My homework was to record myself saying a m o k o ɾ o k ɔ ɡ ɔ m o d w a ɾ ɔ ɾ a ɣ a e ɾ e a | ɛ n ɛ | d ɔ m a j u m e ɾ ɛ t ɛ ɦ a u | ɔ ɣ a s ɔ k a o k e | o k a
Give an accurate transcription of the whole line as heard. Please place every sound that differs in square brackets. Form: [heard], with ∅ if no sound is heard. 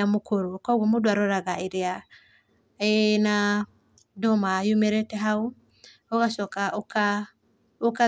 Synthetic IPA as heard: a m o k o ɾ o k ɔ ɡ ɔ m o d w a ɾ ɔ ɾ a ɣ a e ɾ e a | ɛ n [a] | d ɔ m a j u m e ɾ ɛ t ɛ ɦ a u | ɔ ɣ a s ɔ k a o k [a] | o k a